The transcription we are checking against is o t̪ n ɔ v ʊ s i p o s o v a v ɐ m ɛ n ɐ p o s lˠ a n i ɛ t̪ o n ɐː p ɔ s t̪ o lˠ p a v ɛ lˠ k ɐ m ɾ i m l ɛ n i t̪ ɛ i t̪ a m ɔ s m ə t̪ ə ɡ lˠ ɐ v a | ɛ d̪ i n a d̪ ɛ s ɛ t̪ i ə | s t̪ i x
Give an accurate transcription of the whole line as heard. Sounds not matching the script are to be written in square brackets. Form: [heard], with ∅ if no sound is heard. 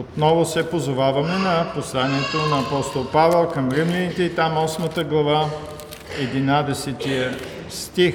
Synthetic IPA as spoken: o t̪ n ɔ v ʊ s [ɛ] p o [z] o v a v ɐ m ɛ n ɐ p o s lˠ a n i ɛ t̪ o n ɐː p ɔ s t̪ o lˠ p a v ɛ lˠ k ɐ m ɾ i m l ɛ n i t̪ ɛ i t̪ a m ɔ s m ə t̪ ə ɡ lˠ ɐ v a | ɛ d̪ i n a d̪ ɛ s ɛ t̪ i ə | s t̪ i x